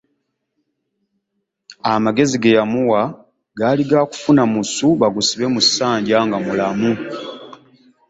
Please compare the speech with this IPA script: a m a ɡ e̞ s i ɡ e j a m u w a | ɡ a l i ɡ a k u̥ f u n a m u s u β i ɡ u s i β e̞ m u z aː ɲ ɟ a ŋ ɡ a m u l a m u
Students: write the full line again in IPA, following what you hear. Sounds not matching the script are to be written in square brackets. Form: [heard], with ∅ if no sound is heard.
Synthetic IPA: a m a ɡ e̞ [z] i ɡ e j a m u w a | ɡ a l i ɡ a k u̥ f u n a m u s u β [a] ɡ u s i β e̞ m u [s] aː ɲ ɟ a ŋ ɡ a m u l a m u